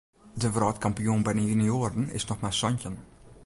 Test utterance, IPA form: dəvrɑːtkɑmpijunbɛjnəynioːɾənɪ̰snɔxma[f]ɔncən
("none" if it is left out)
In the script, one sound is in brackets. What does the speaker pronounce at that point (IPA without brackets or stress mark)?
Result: s